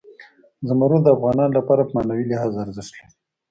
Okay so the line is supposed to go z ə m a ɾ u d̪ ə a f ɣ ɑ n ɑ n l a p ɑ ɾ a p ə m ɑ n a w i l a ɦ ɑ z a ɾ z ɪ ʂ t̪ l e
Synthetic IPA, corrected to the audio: z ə m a ɾ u d̪ ə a f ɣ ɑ n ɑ n l a p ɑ ɾ a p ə m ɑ n a w i l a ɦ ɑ z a ɾ z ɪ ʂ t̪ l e